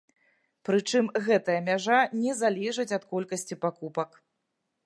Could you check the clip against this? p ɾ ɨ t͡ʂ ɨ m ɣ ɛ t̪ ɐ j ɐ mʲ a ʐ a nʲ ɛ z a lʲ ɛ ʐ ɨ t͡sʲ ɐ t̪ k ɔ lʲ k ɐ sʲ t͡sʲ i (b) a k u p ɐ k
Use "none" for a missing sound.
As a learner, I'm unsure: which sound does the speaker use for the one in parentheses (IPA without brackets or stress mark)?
p